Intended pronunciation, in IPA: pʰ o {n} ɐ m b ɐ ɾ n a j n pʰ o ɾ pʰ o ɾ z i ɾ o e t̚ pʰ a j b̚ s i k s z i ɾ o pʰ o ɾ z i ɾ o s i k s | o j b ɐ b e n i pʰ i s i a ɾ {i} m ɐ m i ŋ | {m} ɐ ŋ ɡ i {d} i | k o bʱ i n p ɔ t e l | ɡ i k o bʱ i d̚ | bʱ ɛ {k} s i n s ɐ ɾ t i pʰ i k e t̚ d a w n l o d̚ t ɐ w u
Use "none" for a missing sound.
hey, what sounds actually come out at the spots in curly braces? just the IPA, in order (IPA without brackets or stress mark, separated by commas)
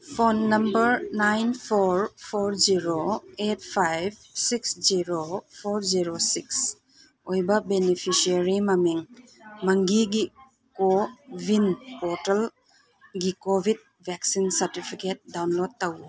nː, i, m, ɡ, k